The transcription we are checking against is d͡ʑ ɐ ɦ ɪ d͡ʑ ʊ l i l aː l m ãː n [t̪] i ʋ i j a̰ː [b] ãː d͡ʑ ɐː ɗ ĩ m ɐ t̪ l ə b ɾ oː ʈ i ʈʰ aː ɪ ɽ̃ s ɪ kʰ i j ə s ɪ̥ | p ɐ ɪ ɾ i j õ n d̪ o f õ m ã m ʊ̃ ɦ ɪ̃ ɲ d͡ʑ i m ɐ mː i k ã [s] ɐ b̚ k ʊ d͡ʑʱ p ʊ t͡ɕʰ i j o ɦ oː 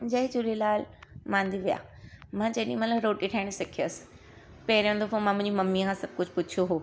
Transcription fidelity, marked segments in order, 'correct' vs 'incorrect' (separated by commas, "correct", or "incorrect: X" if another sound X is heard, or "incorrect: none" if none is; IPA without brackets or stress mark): incorrect: d̪, incorrect: m, correct